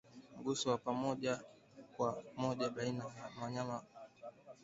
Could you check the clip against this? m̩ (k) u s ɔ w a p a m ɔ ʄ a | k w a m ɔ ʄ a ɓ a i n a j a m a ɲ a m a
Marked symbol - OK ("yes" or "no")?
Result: no